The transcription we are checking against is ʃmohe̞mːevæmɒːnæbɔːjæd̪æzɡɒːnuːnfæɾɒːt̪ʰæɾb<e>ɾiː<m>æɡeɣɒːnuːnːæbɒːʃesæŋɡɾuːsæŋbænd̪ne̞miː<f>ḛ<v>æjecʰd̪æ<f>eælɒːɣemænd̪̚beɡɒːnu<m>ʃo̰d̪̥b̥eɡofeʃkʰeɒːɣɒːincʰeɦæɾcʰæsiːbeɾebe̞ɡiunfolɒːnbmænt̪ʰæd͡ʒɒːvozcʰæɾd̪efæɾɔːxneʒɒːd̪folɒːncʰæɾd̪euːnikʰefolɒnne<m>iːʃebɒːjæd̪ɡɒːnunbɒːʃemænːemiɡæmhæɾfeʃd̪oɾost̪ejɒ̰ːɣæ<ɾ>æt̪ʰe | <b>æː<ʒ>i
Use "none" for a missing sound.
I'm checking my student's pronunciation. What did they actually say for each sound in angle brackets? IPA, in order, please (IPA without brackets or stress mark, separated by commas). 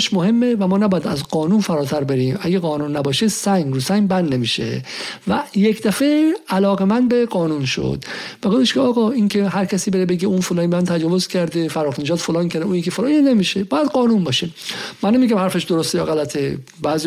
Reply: e, m, ʃ, v, f, n, m, l, b, z